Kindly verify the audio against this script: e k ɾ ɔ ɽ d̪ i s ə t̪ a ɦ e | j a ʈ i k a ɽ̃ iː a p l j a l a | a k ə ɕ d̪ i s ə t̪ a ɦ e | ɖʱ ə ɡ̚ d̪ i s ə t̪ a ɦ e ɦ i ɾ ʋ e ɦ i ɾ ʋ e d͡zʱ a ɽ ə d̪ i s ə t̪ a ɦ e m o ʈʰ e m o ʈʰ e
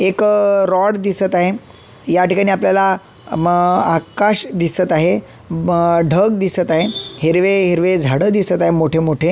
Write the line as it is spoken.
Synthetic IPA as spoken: e k ɾ ɔ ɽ d̪ i s ə t̪ a ɦ e | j a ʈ i k a ɽ̃ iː a p l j a l a | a k a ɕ d̪ i s ə t̪ a ɦ e | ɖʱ ə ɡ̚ d̪ i s ə t̪ a ɦ e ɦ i ɾ ʋ e ɦ i ɾ ʋ e d͡zʱ a ɽ ə d̪ i s ə t̪ a ɦ e m o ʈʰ e m o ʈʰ e